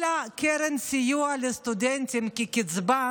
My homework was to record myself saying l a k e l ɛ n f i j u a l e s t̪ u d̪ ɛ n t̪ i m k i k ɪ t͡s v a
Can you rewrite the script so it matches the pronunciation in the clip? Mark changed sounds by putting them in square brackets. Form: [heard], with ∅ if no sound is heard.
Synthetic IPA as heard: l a k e [ɾ] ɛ n [s] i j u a l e s t̪ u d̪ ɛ n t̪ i m k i k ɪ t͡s [b] a